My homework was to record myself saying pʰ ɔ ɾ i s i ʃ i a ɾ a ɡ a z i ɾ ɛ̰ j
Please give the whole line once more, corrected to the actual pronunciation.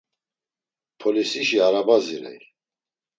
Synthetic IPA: pʰ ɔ l i s i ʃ i a ɾ a b a z i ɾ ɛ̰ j